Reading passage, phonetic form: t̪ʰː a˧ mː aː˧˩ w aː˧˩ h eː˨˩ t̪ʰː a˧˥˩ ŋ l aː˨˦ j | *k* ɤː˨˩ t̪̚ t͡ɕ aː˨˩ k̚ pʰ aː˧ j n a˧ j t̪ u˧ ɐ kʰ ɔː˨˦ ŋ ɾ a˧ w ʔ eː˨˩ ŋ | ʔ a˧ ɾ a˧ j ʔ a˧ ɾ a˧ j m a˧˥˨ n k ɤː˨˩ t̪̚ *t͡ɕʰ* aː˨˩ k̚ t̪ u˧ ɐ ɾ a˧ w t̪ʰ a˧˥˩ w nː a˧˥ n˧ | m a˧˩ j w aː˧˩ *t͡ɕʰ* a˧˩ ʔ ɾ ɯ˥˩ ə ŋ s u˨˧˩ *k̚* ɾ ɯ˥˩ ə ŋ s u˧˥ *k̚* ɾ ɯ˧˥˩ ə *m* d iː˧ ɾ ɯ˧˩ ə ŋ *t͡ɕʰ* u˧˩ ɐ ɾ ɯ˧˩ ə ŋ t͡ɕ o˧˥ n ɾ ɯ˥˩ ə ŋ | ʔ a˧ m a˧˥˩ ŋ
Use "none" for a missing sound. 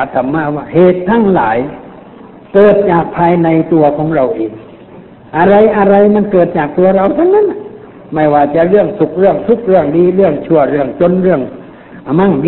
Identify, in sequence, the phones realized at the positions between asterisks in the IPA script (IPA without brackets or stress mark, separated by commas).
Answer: k, t͡ɕ, t͡ɕ, k̚, k̚, ŋ, t͡ɕʰ